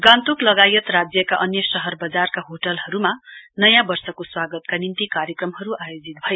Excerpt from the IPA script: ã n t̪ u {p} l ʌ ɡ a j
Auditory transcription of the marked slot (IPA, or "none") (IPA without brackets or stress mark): k